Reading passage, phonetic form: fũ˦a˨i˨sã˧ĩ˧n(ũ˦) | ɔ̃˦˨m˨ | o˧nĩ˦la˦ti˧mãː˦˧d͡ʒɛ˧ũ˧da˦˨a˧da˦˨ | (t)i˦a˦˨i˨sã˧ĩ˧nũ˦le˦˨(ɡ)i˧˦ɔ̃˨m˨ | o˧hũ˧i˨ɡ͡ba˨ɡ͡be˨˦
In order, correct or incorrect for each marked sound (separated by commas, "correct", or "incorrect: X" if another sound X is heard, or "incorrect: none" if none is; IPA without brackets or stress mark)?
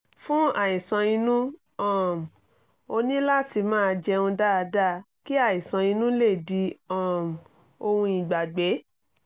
correct, incorrect: k, incorrect: d